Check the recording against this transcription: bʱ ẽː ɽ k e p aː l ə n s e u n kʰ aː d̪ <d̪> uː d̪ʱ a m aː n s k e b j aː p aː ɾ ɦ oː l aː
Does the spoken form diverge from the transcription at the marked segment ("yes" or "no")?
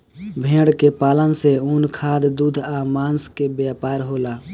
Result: no